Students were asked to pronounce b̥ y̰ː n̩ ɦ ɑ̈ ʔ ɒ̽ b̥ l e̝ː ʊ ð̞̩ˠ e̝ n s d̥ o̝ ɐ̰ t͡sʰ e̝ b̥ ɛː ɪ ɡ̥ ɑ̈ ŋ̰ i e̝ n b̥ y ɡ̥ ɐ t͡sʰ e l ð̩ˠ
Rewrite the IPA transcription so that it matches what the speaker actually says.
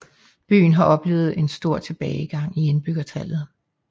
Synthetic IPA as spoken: b̥ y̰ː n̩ ɦ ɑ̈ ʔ ɒ̽ b̥ l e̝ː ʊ ð̞̩ˠ e̝ n s d̥ o̝ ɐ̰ t͡sʰ e̝ b̥ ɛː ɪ ɡ̥ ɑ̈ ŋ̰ i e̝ n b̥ y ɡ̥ ɐ t͡sʰ æ l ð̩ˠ